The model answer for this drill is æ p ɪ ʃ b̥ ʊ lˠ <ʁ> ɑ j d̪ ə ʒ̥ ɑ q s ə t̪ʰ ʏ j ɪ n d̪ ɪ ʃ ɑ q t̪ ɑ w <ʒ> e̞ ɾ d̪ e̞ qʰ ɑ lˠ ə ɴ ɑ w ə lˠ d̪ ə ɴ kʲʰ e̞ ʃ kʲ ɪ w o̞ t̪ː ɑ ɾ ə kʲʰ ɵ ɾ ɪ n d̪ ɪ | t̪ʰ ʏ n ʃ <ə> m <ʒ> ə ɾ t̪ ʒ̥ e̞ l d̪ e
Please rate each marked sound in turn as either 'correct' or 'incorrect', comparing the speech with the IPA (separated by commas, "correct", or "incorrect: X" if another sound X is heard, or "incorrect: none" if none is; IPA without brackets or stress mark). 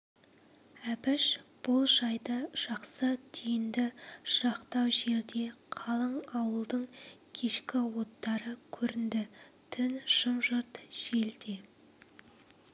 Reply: incorrect: ʒ, correct, correct, correct